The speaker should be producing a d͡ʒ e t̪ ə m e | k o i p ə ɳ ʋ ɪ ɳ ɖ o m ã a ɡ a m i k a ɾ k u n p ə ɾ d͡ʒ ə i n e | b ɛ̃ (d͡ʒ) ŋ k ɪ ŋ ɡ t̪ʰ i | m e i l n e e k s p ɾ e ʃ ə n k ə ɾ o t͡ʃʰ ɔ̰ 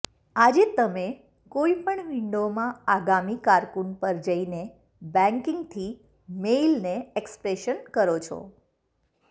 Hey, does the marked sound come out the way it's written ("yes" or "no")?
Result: no